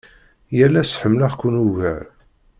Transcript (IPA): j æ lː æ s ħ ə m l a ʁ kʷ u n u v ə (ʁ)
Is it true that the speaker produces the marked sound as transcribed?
no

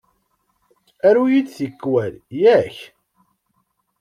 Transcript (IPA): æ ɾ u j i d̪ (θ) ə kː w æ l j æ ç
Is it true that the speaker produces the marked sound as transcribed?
yes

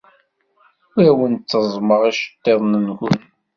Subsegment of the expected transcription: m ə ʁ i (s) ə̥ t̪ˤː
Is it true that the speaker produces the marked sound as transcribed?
no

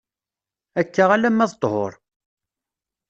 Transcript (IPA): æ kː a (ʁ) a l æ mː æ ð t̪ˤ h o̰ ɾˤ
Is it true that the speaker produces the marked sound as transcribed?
yes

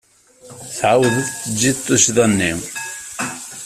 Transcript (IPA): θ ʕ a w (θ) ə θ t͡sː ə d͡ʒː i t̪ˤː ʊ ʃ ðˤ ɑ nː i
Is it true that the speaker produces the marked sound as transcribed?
no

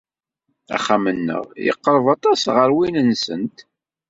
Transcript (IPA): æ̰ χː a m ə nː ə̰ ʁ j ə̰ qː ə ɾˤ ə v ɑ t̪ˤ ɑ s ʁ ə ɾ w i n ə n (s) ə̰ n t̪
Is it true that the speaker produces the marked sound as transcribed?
yes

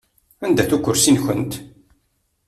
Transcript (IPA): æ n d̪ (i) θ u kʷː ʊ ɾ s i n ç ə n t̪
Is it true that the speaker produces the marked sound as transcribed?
no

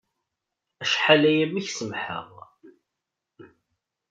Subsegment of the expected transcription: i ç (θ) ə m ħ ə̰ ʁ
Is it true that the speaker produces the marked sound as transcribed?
no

